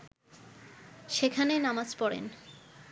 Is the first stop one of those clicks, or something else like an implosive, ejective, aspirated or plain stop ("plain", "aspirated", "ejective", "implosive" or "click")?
aspirated